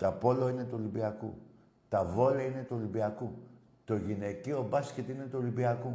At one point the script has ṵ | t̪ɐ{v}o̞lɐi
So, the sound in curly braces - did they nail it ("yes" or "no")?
yes